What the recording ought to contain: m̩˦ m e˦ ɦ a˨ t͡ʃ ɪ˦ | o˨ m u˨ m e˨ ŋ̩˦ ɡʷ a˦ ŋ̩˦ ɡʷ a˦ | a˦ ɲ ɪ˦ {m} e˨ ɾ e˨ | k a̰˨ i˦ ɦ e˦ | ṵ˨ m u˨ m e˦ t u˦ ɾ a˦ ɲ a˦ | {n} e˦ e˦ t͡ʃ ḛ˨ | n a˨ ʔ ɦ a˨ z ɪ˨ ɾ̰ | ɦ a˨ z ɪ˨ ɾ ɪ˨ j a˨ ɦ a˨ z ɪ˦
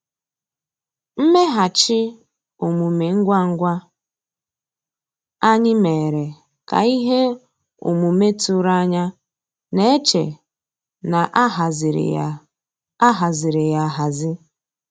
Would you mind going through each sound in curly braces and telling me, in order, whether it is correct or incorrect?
correct, correct

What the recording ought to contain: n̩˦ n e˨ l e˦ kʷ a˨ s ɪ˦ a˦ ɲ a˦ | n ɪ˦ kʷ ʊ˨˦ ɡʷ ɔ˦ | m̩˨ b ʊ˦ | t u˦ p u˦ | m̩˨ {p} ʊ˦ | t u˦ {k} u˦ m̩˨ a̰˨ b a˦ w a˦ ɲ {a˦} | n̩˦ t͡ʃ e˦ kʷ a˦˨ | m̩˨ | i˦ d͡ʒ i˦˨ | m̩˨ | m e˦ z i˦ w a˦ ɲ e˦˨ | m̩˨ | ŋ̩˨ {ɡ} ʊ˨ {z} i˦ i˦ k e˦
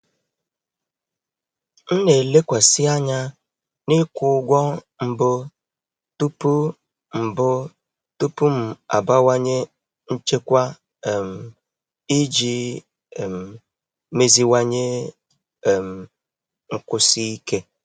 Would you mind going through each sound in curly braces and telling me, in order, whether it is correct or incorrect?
incorrect: b, incorrect: p, incorrect: e˦, incorrect: k, incorrect: s

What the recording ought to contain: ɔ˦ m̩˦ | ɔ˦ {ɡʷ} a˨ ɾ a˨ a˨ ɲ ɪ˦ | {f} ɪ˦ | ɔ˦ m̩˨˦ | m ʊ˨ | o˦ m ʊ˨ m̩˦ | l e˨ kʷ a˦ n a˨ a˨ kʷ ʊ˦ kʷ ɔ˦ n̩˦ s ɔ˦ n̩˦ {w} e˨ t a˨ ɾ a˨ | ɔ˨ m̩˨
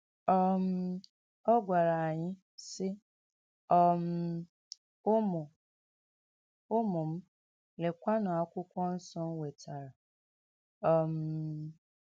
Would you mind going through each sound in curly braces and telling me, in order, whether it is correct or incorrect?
correct, incorrect: s, correct

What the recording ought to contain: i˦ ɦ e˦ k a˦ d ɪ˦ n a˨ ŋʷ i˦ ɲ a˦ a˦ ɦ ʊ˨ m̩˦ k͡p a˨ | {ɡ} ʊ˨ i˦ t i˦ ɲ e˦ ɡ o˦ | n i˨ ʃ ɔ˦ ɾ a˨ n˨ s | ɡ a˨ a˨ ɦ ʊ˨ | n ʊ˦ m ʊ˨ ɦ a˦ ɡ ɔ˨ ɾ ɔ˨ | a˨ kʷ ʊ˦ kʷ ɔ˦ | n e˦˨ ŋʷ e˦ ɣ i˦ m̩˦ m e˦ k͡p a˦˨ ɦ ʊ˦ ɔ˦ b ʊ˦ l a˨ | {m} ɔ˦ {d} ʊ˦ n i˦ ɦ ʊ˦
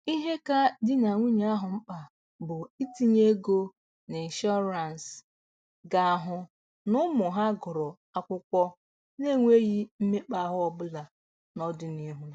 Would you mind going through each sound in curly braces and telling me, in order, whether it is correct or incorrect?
incorrect: b, incorrect: n, correct

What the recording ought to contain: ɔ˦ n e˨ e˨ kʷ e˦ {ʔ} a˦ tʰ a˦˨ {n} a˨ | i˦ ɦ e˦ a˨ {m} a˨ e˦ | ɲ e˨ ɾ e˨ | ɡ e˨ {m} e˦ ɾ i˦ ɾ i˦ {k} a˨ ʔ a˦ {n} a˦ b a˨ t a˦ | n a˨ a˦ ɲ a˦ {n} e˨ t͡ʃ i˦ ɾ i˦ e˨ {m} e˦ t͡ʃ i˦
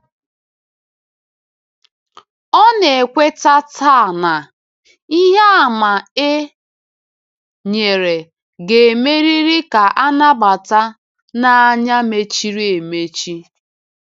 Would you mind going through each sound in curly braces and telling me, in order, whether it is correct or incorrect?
incorrect: t, correct, correct, correct, correct, correct, incorrect: m, correct

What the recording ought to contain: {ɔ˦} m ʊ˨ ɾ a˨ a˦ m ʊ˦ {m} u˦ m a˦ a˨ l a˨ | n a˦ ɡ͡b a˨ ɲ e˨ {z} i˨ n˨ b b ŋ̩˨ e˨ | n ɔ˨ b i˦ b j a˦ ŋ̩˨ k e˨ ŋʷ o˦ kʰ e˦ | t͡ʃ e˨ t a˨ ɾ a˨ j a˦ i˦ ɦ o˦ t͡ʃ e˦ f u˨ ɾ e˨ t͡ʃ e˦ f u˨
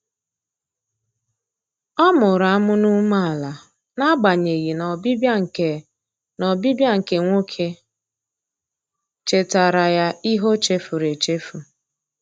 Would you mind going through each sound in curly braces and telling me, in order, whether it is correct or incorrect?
correct, incorrect: n, incorrect: ɣ

